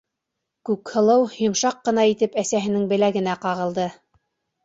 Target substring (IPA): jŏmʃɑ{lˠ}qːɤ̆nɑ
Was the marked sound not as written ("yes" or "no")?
yes